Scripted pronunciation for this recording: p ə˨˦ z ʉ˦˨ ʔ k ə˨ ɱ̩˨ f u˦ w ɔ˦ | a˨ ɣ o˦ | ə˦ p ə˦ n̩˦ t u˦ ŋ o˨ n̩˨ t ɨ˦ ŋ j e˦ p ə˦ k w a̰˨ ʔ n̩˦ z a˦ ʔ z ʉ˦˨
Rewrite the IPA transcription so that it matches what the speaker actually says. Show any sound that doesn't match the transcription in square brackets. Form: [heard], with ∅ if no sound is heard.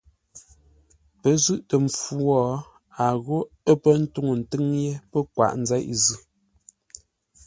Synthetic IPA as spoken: p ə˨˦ z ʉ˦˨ ʔ [t] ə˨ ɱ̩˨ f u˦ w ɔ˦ | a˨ ɣ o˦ | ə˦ p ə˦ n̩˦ t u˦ ŋ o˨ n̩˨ t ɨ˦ ŋ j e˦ p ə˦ k w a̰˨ ʔ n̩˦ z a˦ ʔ z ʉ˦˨